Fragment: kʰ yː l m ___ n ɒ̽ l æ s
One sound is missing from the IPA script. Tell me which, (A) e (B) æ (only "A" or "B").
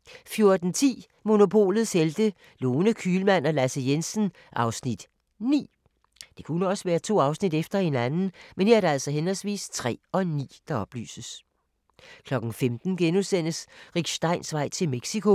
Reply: B